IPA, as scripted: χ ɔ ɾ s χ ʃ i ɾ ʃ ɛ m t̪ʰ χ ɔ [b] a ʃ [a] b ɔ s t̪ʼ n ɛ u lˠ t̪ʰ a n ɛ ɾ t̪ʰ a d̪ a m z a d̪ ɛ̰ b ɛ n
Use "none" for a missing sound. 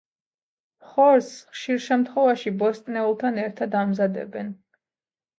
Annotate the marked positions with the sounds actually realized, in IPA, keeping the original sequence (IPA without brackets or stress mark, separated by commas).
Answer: v, i